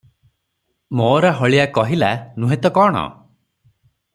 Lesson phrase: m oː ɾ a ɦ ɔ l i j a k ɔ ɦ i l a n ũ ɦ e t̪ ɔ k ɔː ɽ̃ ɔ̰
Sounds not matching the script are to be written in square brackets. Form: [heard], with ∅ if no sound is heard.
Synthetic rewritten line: m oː ɾ a ɦ ɔ [ɭ] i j a k ɔ ɦ i l a n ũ ɦ e t̪ ɔ k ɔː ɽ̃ ɔ̰